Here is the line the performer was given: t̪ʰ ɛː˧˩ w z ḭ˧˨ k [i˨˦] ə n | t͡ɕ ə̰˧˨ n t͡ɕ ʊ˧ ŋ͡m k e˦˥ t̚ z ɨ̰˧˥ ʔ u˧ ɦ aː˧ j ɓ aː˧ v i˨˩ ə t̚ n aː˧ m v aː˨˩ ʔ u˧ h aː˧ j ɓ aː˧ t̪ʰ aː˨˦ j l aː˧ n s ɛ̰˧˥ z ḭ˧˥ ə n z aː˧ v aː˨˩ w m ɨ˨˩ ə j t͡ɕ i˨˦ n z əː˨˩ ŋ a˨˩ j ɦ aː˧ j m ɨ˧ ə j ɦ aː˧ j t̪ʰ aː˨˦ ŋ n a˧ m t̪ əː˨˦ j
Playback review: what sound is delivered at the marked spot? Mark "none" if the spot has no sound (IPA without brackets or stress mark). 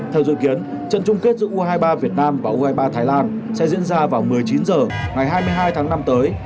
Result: i˨˦